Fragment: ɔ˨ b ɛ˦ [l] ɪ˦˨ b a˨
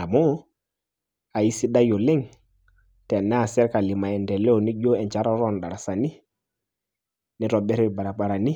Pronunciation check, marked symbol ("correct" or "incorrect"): incorrect